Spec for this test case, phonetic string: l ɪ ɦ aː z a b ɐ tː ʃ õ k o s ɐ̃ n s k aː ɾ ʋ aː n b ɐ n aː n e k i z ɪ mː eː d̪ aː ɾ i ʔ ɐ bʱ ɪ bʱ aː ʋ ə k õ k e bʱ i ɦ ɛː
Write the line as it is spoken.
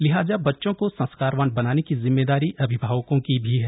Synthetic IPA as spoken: l ɪ ɦ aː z a b ɐ tː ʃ õ k o s ɐ̃ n s k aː ɾ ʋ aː n b ɐ n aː n e k i z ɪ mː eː d̪ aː ɾ i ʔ ɐ bʱ ɪ bʱ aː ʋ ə k õ k i bʱ i ɦ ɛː

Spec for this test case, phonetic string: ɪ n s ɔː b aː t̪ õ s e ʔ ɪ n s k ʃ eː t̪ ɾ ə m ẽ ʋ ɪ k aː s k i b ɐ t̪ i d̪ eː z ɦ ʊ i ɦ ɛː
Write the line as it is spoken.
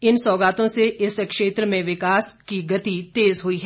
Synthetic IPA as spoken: ɪ n s ɔː ɡ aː t̪ õ s e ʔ ɪ s k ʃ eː t̪ ɾ ə m ẽ ʋ ɪ k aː s k i ɡ ɐ t̪ i t̪ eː z ɦ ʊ i ɦ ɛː

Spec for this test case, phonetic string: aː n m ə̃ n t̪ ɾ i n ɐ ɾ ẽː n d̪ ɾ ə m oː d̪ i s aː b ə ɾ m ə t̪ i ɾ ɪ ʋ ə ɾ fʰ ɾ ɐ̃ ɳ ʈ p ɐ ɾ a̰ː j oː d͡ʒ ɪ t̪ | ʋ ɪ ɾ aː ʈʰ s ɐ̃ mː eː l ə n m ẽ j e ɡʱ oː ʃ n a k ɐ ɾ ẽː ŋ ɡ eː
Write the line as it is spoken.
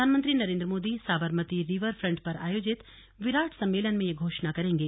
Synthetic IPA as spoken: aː n m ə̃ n t̪ ɾ i n ɐ ɾ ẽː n d̪ ɾ ə m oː d̪ i s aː b ə ɾ m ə t̪ i ɾ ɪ ʋ ə ɾ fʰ ɾ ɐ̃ ɳ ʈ p ɐ ɾ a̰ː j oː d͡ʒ ɪ t̪ | ʋ ɪ ɾ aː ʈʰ s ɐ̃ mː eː l ə n m ẽ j e ɡʱ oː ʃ n a k ɐ ɾ ẽː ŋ ɡ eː

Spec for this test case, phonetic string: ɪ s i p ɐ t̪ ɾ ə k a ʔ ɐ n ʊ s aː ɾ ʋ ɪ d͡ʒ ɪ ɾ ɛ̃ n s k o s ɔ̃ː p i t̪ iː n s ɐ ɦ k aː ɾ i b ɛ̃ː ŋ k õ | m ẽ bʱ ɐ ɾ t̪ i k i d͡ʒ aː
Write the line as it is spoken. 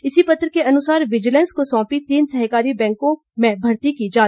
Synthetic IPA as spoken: ɪ s i p ɐ t̪ ɾ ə k e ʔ ɐ n ʊ s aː ɾ ʋ ɪ d͡ʒ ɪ l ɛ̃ n s k o s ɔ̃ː p i t̪ iː n s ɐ ɦ k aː ɾ i b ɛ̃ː ŋ k õ | m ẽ bʱ ɐ ɾ t̪ i k i d͡ʒ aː

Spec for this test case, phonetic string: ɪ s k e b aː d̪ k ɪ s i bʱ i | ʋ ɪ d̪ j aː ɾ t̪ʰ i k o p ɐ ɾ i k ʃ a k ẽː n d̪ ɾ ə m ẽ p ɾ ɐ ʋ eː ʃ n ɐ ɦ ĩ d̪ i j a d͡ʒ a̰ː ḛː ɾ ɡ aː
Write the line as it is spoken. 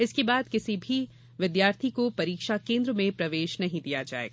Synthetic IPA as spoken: ɪ s k e b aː d̪ k ɪ s i bʱ i | ʋ ɪ d̪ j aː ɾ t̪ʰ i k o p ɐ ɾ iː k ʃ a k ẽː n d̪ ɾ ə m ẽ p ɾ ɐ ʋ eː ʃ n ɐ ɦ ĩ d̪ i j a d͡ʒ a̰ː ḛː ɡ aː

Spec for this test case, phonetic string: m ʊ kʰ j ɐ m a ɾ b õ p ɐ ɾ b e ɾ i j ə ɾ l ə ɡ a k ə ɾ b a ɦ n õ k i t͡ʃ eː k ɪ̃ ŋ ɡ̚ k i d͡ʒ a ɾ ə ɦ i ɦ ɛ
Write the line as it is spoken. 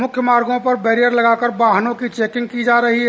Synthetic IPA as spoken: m ʊ kʰ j ə m a ɾ ɡ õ p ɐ ɾ b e ɾ i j ə ɾ l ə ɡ a k ə ɾ b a ɦ n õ k i t͡ʃ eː k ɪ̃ ŋ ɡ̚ k i d͡ʒ a ɾ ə ɦ i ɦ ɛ

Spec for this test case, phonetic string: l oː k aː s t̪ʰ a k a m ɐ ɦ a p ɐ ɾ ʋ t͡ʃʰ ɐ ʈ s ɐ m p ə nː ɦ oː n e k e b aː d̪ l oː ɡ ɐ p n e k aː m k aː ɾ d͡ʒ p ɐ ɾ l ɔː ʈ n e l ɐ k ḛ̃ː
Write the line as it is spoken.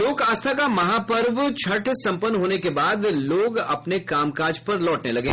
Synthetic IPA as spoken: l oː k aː s t̪ʰ a k a m ɐ ɦ a p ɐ ɾ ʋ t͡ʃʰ ɐ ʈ s ɐ̃ m p ə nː ɦ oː n e k e b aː d̪ l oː ɡ ɐ p n e k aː m k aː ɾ d͡ʒ p ɐ ɾ l ɔː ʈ n e l ɐ ɡ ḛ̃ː

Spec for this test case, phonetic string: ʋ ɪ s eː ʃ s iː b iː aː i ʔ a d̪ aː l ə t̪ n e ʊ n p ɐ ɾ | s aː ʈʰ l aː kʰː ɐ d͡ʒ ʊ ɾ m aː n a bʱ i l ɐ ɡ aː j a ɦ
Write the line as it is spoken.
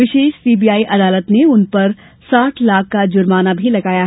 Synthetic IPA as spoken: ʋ ɪ ʃ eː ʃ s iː b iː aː i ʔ ɐ d̪ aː l ə t̪ n e ʊ n p ɐ ɾ | s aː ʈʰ l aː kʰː a d͡ʒ ʊ ɾ m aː n a bʱ i l ɐ ɡ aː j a ɦ

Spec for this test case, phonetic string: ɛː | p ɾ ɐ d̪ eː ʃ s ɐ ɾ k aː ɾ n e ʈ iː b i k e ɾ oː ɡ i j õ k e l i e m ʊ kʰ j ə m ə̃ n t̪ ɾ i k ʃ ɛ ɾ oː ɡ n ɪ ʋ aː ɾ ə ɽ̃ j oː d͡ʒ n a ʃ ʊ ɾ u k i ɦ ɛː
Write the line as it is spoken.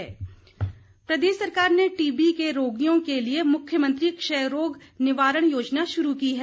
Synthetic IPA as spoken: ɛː | p ɾ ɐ d̪ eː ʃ s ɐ ɾ k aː ɾ n e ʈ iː b i k e ɾ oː ɡ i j õ k e l i e m ʊ kʰ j ə m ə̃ n t̪ ɾ i k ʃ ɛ ɾ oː ɡ n ɪ ʋ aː ɾ ə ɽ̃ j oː d͡ʒ n a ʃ ʊ ɾ u k i ɦ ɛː

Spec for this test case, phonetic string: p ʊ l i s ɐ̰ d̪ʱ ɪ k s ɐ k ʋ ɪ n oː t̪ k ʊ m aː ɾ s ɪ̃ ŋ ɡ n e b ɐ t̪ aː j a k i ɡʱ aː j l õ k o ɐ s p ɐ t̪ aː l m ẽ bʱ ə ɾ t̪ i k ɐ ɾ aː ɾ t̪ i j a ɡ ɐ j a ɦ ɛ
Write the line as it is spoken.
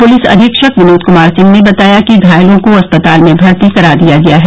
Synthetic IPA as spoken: p ʊ l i s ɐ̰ d̪ʱ ɪ k ʃ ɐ k ʋ ɪ n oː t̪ k ʊ m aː ɾ s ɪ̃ ŋ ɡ n e b ɐ t̪ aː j a k i ɡʱ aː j l õ k o ɐ s p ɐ t̪ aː l m ẽ bʱ ɐ ɾ t̪ i k ɐ ɾ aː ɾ d̪ i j a ɡ ɐ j a ɦ ɛ

